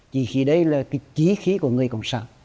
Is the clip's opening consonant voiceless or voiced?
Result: voiceless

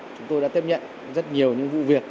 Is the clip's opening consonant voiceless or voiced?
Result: voiceless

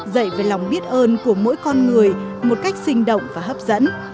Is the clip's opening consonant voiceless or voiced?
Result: voiced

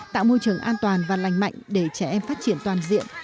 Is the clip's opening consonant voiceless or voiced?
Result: voiceless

